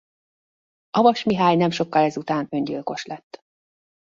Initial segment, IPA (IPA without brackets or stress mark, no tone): ɒ